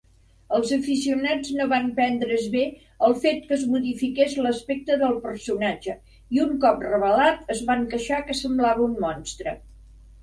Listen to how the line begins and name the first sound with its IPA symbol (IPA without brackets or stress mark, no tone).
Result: ə